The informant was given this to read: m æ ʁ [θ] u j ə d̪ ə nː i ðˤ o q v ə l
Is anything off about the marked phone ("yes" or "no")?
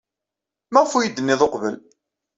yes